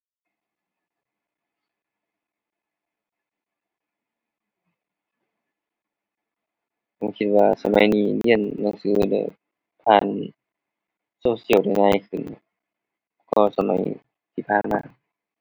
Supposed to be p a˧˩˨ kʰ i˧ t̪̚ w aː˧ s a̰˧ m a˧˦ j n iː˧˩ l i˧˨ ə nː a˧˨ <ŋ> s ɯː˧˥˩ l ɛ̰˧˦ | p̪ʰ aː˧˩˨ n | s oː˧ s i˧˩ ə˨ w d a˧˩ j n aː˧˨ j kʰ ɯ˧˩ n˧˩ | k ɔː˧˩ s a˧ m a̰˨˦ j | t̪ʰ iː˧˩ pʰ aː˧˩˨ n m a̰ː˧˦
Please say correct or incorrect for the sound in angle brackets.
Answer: correct